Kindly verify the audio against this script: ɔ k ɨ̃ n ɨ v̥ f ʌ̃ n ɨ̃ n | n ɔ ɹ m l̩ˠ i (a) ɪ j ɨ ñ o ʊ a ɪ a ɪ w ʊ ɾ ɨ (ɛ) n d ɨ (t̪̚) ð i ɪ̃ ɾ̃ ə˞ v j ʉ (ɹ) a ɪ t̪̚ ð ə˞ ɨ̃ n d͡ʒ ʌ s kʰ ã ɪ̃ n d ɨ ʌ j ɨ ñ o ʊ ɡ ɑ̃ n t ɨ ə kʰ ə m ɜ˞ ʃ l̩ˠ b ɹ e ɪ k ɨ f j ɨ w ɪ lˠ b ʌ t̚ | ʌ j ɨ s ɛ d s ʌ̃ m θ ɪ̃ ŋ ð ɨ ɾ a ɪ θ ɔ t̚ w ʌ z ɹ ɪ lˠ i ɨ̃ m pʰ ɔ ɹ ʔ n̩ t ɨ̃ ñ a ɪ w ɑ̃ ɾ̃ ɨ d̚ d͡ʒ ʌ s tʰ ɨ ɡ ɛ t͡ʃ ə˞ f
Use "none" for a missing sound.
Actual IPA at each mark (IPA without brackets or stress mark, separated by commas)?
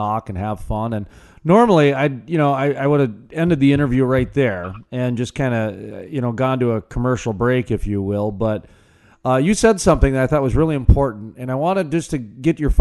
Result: a, ɛ̃, d̪̚, ɹ